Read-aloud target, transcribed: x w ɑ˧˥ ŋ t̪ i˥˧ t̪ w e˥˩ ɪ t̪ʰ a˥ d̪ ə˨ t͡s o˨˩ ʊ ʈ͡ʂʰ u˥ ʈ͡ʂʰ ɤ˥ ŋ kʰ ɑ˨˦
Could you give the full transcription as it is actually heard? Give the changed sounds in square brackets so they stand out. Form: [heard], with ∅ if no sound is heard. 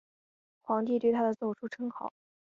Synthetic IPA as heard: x w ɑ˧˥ ŋ t̪ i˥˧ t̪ w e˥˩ ɪ t̪ʰ a˥ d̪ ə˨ t͡s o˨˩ ʊ ʈ͡ʂʰ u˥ ʈ͡ʂʰ ɤ˥ ŋ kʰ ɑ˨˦

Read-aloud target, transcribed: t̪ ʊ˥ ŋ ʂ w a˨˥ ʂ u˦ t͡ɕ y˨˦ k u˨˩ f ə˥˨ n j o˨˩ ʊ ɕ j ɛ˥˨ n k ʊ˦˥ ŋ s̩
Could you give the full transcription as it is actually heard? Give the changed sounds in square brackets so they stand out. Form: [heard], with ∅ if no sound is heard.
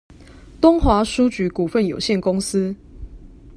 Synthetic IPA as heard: t̪ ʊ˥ ŋ [x] w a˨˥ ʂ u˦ t͡ɕ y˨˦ k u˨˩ f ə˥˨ n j o˨˩ ʊ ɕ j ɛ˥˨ n k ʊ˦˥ ŋ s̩

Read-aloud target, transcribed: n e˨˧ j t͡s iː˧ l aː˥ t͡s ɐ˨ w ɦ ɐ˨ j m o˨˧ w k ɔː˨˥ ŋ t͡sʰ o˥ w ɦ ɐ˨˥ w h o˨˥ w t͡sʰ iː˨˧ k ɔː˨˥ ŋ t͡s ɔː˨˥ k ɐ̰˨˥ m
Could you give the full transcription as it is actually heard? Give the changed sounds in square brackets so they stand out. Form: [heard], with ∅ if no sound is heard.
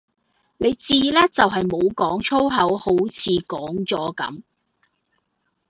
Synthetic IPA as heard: n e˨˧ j t͡s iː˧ l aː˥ t͡s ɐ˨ w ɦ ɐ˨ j m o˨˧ w k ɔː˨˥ ŋ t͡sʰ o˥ w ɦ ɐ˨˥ w h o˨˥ w t͡sʰ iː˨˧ k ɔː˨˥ ŋ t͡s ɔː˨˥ k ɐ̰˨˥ m

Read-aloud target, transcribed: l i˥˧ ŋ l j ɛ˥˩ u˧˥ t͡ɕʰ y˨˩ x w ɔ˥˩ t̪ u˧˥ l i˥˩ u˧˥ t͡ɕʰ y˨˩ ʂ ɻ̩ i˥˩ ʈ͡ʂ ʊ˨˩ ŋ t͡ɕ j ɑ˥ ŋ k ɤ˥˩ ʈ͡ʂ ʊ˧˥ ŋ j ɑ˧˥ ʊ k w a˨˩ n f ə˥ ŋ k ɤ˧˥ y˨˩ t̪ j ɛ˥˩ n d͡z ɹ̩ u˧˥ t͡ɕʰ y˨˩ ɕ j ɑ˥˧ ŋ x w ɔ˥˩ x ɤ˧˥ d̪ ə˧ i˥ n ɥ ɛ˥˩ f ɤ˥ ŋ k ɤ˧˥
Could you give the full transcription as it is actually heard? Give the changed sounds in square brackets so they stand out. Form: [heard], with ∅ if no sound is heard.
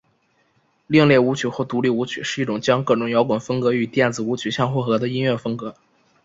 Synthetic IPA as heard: l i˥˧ ŋ l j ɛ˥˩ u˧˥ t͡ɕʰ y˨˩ x w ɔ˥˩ t̪ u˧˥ l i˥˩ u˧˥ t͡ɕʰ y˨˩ ʂ ɻ̩ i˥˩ ʈ͡ʂ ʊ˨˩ ŋ t͡ɕ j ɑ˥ ŋ k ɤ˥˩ ʈ͡ʂ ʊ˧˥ ŋ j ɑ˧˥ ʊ k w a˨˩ n f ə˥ ŋ k ɤ˧˥ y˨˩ t̪ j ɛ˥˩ n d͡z ɹ̩ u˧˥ t͡ɕʰ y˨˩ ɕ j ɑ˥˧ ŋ x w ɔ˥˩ x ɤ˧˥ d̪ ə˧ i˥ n ɥ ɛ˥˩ f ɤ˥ ŋ k ɤ˧˥

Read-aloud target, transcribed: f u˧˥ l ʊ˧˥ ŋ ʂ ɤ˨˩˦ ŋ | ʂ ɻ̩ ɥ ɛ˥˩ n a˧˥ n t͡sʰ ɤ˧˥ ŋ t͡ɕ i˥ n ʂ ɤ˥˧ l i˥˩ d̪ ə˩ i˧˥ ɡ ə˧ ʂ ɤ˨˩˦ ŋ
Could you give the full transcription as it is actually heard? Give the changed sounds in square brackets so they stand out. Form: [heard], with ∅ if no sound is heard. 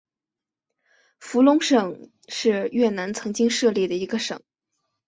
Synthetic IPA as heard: f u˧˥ l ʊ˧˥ ŋ ʂ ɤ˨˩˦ ŋ | ʂ ɻ̩ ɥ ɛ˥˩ n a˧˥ n t͡sʰ ɤ˧˥ ŋ t͡ɕ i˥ [ŋ] ʂ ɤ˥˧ l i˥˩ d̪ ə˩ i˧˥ ɡ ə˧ ʂ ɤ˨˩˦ ŋ

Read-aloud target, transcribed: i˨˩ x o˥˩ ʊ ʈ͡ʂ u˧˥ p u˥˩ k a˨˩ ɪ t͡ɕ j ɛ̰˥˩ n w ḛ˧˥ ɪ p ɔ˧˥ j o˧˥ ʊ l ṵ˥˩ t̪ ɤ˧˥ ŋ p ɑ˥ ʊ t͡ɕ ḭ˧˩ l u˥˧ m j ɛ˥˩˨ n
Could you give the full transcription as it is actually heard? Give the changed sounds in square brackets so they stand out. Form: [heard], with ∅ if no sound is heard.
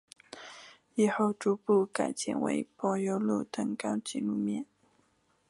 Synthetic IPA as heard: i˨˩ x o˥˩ ʊ ʈ͡ʂ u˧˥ p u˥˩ k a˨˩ ɪ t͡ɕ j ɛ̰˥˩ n w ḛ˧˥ ɪ p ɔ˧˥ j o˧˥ ʊ l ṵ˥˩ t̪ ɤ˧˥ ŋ [k] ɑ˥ ʊ t͡ɕ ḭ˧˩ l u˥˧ m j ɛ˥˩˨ n

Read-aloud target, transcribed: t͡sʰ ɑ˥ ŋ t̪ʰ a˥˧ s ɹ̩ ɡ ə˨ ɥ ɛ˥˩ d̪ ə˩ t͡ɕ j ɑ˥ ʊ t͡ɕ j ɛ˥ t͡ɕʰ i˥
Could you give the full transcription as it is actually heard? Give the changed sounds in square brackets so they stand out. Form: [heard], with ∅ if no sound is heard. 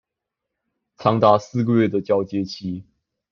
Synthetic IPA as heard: t͡sʰ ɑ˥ ŋ [t̪] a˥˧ s ɹ̩ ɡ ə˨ ɥ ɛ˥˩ d̪ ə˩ t͡ɕ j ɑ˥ ʊ t͡ɕ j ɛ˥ t͡ɕʰ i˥

